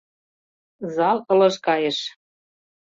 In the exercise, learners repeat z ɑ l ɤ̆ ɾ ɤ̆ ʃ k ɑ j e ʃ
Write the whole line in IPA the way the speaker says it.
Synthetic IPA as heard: z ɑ l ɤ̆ l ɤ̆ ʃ k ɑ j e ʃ